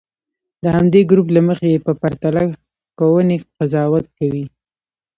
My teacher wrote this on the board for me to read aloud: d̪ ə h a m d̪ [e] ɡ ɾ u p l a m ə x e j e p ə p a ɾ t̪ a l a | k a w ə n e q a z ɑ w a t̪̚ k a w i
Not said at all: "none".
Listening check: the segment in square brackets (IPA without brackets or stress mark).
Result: e